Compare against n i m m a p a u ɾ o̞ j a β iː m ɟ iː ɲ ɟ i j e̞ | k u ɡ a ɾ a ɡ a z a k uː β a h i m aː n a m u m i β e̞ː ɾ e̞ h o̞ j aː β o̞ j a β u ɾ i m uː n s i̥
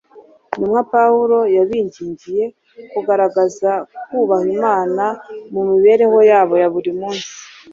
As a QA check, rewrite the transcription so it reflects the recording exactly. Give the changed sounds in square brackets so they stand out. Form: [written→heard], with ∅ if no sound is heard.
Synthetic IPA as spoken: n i m [m→ŋ] a p a u ɾ o̞ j a β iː [m→ɲ] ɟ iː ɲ ɟ i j e̞ | k u ɡ a ɾ a ɡ a z a k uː β a h i m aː n a m u m i β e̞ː ɾ e̞ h o̞ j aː β o̞ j a β u ɾ i m uː n s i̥